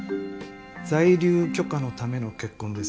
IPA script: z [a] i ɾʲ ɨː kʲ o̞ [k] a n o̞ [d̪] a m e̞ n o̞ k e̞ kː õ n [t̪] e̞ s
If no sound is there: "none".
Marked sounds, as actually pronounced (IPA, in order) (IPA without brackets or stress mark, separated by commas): a, k, t̪, d̪